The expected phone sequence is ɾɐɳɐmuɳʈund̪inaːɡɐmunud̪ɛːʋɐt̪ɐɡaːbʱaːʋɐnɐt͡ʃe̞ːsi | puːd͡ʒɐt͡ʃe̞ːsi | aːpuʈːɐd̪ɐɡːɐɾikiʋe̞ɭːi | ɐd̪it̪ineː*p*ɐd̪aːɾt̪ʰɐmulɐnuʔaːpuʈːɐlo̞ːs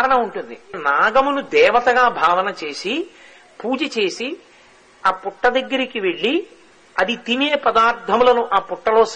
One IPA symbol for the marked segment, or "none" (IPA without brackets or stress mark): p